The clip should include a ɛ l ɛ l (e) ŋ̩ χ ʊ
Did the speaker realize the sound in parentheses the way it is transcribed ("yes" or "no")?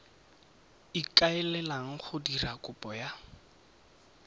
no